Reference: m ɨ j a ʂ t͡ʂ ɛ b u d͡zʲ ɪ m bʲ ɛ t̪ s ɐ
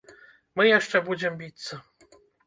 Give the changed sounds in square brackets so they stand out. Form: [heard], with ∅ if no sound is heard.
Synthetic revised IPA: m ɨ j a ʂ t͡ʂ ɛ b u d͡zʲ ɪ m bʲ [i] t̪ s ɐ